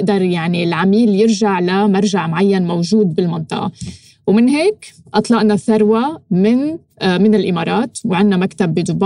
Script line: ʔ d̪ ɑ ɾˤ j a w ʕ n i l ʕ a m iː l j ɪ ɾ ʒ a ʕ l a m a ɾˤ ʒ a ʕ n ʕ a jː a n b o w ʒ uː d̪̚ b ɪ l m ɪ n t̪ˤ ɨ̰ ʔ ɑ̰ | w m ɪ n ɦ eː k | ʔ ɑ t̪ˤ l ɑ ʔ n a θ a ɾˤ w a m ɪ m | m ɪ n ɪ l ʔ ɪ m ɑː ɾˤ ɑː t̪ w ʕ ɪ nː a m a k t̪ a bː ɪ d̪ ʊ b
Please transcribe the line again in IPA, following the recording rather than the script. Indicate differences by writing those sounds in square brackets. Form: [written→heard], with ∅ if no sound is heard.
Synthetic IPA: ʔ d̪ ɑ ɾˤ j a [w→∅] ʕ n i l ʕ a m iː l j ɪ ɾ ʒ a ʕ l a m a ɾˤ ʒ a ʕ [n→m] ʕ a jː a n [b→m] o w ʒ uː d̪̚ b ɪ l m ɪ n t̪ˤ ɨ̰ ʔ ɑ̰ | w m ɪ n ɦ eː k | ʔ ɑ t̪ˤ l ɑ ʔ n a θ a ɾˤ w a m ɪ [m→n] | m ɪ n ɪ l ʔ ɪ m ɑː ɾˤ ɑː t̪ w ʕ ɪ nː a m a k t̪ a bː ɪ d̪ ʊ b